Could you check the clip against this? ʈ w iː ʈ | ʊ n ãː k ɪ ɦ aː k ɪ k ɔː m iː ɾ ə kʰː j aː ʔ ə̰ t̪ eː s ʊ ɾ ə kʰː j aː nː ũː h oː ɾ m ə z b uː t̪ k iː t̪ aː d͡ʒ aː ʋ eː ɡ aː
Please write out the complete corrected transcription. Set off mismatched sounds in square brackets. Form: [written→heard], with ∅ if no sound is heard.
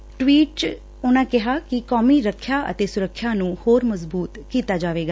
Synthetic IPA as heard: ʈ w iː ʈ | ʊ n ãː k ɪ ɦ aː k ɪ k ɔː m iː ɾ ə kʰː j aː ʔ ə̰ t̪ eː s ʊ ɾ ə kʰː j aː [nː→n] ũː h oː ɾ m ə z b uː t̪ k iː t̪ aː d͡ʒ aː ʋ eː ɡ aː